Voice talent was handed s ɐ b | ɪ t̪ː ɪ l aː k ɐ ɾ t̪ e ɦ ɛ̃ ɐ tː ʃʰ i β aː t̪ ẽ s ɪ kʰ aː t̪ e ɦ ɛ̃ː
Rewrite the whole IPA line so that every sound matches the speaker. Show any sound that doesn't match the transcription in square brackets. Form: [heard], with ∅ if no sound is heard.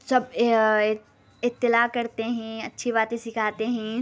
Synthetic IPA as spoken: s ɐ b | ɪ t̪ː ɪ l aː k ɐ ɾ t̪ e ɦ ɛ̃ ɐ tː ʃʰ i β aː t̪ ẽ s ɪ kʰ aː t̪ e ɦ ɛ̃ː